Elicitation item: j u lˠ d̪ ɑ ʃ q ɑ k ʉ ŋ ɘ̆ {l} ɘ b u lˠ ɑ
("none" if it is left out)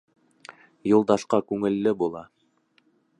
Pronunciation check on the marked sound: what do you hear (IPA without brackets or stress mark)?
lː